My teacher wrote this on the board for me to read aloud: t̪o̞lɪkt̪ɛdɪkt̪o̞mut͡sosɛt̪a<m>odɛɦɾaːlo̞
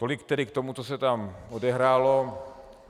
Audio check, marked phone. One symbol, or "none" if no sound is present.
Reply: m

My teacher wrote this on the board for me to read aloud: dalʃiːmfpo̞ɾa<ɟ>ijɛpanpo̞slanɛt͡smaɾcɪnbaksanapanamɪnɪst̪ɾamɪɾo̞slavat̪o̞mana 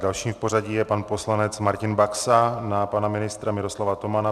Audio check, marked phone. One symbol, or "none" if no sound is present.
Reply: ɟ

